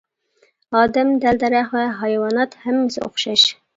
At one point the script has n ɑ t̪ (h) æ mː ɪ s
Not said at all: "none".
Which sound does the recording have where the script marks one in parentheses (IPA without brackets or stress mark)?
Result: h